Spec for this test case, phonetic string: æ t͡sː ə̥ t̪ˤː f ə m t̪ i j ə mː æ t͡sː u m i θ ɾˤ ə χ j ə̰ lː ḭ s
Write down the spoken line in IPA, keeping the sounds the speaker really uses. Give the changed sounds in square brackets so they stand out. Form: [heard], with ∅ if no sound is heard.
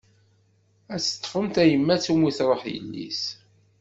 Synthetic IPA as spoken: æ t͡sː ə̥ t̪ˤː f ə m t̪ [æ] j ə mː æ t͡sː u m i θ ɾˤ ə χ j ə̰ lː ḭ s